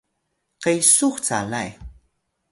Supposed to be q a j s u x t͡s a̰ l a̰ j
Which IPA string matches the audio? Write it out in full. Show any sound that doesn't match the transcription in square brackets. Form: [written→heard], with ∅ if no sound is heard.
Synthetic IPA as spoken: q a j s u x t͡s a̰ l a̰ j